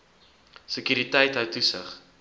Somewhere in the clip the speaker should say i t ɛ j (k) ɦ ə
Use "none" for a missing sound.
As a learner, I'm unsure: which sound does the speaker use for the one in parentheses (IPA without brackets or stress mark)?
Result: t